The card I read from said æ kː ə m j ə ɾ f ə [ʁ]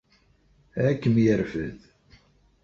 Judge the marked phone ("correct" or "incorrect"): incorrect